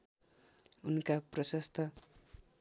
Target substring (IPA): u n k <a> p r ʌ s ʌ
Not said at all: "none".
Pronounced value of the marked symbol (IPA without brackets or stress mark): a